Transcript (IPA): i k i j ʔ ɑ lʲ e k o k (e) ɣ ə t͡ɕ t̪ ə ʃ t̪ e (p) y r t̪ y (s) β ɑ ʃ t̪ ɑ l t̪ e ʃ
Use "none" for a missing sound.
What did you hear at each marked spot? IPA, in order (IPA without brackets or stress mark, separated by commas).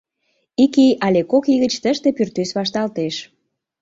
i, p, s